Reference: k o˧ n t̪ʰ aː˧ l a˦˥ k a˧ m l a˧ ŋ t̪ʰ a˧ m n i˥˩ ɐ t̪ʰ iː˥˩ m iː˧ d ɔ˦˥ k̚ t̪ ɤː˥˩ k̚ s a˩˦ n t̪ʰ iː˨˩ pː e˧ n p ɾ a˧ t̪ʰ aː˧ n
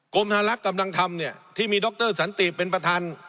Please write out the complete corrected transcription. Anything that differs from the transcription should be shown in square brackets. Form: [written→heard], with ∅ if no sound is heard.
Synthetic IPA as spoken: k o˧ [n→m] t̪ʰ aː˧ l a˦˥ k a˧ m l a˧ ŋ t̪ʰ a˧ m n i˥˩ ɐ t̪ʰ iː˥˩ m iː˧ d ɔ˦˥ k̚ t̪ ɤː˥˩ [k̚→∅] s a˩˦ n [t̪ʰ→t̪] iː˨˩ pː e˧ n p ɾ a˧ t̪ʰ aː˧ n